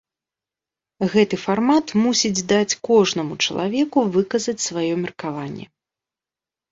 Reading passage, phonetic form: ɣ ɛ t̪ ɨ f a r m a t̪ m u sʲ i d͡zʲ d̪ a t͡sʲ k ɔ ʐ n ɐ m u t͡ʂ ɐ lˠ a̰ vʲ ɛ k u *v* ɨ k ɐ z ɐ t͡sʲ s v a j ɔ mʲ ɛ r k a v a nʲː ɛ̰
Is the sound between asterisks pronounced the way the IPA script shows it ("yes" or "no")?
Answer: yes